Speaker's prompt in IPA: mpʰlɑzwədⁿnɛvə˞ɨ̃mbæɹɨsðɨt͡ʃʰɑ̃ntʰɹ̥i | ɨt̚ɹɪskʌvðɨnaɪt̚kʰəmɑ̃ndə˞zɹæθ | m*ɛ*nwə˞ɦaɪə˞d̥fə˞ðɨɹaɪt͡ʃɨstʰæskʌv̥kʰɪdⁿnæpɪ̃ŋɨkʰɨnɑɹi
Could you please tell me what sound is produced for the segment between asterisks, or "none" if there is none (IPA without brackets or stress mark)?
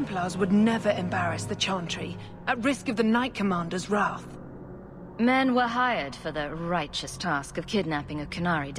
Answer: ɛ̃